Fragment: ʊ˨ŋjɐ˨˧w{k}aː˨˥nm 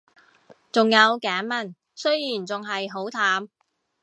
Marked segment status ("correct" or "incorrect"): correct